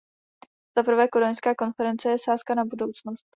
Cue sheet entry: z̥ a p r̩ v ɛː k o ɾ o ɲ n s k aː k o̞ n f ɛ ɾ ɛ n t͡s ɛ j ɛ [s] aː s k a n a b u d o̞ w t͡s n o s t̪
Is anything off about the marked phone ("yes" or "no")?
no